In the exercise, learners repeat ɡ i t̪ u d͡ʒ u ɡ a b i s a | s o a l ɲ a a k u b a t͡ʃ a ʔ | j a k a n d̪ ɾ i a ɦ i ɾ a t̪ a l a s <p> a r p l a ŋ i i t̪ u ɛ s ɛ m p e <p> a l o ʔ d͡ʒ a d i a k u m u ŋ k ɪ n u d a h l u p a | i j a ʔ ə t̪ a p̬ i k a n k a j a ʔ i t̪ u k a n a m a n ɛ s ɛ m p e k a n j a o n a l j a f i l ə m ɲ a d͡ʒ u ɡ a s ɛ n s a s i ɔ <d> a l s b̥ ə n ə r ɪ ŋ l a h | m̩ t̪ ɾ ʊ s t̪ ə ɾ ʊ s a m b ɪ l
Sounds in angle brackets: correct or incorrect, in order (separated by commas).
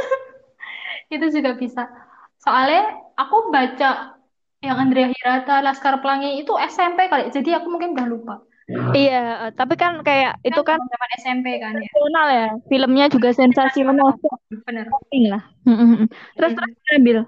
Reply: incorrect, incorrect, incorrect